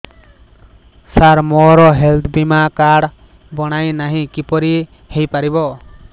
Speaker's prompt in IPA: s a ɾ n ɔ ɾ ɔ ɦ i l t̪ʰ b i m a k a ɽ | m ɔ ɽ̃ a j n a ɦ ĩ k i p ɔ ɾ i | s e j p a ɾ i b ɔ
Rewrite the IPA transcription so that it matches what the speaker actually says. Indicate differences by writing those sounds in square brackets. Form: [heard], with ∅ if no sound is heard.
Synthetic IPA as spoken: s a ɾ [m] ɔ ɾ ɔ ɦ [e] l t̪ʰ b i m a k a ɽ | [b] ɔ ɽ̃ a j n a ɦ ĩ k i p ɔ ɾ i | [h] e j p a ɾ i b ɔ